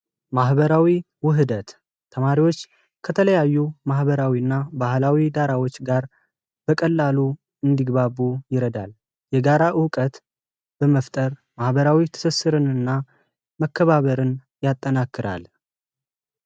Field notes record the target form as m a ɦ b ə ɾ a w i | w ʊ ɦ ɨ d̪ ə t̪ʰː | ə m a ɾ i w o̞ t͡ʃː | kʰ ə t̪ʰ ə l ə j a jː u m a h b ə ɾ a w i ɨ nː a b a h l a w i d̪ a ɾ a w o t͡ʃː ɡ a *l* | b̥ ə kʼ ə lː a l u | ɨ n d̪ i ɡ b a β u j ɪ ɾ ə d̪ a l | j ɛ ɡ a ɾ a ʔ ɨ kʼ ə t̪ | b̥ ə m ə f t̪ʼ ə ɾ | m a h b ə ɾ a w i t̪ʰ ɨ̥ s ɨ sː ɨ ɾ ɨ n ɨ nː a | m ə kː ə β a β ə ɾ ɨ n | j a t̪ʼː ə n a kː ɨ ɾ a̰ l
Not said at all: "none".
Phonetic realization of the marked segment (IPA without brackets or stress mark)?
ɾ